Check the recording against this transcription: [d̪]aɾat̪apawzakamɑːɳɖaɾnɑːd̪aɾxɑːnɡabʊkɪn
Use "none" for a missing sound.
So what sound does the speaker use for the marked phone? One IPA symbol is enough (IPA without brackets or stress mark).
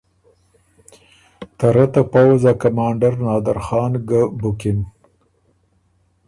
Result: t̪